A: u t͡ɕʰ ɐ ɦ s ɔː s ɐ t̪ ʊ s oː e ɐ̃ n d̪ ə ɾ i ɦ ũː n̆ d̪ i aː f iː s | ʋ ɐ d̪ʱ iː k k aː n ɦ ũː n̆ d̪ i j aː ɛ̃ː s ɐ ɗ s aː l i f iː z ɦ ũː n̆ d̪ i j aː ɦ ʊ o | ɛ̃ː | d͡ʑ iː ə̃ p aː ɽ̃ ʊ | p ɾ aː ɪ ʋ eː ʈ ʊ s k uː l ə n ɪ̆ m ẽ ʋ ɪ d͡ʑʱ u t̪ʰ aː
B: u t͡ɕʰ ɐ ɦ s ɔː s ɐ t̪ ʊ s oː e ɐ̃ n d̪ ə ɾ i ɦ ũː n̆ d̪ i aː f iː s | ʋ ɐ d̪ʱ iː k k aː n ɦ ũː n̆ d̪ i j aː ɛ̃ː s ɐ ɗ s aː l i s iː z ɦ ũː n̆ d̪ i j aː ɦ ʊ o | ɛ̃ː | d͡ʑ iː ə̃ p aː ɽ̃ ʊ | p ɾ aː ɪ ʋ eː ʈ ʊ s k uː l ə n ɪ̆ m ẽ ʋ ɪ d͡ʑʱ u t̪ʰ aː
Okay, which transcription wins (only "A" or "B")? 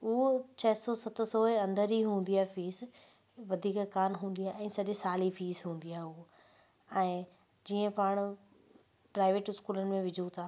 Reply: A